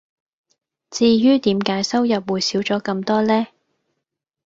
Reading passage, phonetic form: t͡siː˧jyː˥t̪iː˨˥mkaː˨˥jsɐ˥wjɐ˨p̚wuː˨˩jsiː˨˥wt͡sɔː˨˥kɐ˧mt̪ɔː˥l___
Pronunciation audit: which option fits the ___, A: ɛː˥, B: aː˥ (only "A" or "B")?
A